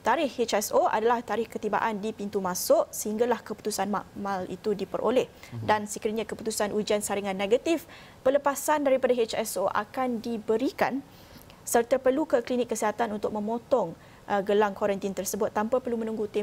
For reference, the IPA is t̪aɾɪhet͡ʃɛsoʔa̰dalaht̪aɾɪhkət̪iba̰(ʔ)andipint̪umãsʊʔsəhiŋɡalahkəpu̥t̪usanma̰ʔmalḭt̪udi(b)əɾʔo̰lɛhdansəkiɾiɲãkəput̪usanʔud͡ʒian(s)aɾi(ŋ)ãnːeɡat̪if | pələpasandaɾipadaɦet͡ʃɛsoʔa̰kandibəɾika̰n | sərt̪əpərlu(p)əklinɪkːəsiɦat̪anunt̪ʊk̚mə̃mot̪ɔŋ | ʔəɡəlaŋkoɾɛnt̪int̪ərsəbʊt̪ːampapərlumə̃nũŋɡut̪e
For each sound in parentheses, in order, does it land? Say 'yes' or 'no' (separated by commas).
yes, no, yes, yes, no